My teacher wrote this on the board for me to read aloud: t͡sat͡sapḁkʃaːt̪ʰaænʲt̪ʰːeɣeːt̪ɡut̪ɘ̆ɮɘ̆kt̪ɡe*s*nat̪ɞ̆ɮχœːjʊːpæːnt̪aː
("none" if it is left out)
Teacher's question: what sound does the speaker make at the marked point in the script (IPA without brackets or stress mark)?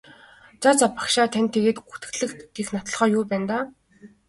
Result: x